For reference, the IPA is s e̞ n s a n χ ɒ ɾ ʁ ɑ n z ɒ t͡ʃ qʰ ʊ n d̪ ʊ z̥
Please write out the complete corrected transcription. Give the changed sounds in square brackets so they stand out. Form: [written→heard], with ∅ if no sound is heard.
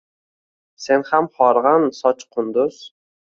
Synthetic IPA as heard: s e̞ n [s→h] a [n→m] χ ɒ ɾ ʁ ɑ n [z→s] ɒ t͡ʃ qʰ ʊ n d̪ ʊ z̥